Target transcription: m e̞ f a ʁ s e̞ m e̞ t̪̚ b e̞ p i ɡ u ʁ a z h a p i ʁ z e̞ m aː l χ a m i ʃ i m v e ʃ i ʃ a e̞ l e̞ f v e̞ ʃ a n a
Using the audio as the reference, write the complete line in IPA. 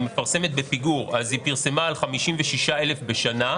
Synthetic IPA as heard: m e̞ f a ʁ s e̞ m e̞ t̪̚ b e̞ p i ɡ u ʁ a z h i p i ʁ s e̞ m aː l χ a m i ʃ i m v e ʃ i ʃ a e̞ l e̞ f b e̞ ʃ a n a